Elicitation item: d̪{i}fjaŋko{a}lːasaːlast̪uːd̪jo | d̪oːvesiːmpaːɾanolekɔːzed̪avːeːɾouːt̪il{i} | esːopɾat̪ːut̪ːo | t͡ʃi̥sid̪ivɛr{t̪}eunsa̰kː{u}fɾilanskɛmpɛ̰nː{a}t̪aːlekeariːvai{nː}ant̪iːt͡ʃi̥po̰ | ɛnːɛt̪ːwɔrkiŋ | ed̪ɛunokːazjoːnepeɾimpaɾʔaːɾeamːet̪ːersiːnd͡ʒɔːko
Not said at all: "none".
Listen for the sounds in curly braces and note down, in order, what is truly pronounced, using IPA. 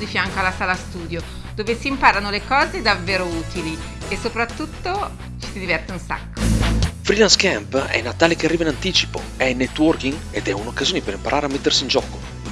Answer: i, a, i, t̪, o, a, n

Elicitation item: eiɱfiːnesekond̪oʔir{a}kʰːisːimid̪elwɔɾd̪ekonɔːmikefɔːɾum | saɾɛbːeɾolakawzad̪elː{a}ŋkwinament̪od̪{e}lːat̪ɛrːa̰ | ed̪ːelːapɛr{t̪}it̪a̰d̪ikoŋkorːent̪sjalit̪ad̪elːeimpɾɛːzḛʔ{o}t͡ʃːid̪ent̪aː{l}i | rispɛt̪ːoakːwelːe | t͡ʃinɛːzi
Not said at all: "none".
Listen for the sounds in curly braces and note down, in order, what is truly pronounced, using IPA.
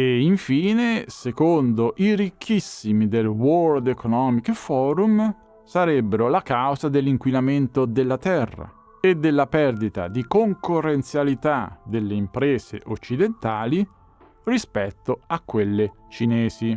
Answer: i, i, e, d̪, o, l

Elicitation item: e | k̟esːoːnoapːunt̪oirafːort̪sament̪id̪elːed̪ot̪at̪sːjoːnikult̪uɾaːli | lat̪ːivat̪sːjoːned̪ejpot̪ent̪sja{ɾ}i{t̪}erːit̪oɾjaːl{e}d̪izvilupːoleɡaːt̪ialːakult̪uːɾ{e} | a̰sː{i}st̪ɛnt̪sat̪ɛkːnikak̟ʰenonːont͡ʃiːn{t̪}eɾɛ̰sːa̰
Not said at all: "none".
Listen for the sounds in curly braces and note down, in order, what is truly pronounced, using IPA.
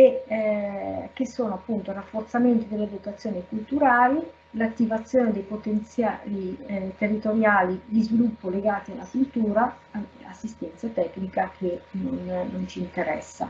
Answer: l, t̪, i, a, i, t̪

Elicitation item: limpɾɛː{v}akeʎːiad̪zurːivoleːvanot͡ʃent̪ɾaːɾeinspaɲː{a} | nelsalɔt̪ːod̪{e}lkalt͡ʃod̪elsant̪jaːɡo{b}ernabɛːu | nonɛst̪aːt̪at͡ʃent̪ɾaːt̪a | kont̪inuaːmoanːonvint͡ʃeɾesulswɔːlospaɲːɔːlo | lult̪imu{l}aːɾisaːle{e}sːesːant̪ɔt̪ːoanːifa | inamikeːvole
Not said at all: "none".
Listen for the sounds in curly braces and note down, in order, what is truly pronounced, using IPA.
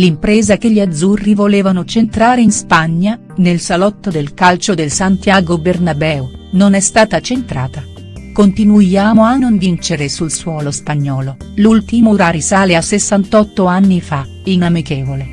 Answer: z, a, e, b, ɾ, a

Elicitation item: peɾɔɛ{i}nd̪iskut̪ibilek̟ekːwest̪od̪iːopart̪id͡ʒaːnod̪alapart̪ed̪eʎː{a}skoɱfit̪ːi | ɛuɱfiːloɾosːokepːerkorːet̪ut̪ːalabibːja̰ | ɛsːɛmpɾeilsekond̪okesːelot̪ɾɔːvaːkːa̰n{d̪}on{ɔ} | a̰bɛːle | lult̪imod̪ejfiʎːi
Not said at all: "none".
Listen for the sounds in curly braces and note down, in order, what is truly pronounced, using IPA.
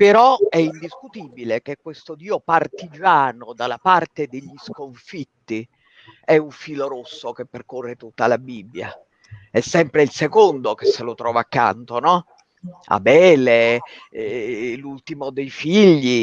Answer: i, i, t̪, ɔ

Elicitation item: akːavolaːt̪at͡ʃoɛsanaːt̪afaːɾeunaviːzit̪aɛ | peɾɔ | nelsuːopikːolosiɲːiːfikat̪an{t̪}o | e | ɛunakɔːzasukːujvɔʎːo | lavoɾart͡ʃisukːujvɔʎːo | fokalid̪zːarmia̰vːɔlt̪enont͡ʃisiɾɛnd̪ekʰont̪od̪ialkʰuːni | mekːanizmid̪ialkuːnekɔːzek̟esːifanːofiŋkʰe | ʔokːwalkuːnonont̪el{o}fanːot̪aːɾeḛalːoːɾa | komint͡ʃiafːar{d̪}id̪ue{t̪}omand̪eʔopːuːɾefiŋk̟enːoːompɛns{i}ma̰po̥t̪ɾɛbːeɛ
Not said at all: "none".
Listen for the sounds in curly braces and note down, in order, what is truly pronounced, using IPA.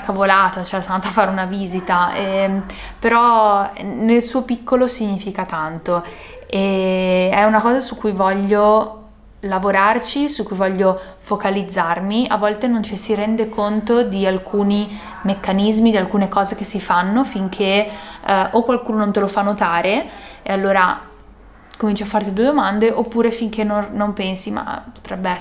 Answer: t̪, o, t̪, d̪, i

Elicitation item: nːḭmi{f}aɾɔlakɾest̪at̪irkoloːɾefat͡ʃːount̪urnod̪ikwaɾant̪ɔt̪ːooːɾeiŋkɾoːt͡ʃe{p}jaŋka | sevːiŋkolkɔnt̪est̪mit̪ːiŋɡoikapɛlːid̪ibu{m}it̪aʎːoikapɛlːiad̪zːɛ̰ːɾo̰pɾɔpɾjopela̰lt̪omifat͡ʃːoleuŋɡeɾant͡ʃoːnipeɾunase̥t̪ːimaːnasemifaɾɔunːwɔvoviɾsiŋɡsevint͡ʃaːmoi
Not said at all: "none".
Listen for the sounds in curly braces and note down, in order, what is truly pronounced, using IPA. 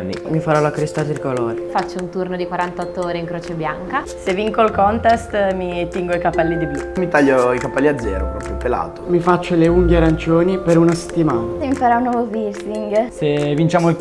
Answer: f, b, m

